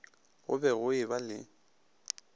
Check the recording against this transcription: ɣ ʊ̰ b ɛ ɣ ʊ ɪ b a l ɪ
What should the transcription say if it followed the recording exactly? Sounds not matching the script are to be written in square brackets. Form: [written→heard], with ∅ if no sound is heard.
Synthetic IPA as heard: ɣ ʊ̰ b ɛ ɣ ʊ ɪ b a l ɪ